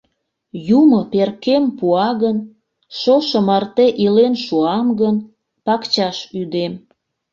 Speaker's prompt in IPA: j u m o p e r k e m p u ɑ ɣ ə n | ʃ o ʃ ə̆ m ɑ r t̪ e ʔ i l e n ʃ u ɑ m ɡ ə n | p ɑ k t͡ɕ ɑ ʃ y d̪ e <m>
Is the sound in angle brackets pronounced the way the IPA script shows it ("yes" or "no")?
yes